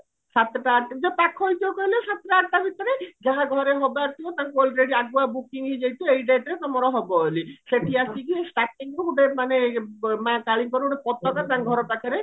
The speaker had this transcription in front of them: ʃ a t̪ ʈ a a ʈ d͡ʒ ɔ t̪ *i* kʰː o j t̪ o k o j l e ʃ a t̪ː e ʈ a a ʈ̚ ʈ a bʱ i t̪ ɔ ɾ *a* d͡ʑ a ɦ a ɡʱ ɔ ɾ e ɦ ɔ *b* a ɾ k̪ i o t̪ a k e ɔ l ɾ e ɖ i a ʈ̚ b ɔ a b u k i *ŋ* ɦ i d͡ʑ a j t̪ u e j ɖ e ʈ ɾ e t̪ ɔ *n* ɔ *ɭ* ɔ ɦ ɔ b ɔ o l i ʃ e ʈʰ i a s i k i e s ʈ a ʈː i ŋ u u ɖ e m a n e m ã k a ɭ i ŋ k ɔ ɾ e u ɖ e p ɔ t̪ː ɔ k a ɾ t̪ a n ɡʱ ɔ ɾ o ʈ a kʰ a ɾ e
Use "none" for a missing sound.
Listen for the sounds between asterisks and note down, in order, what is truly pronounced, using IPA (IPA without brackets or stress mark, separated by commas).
a, e, b, ŋ, m, ɾ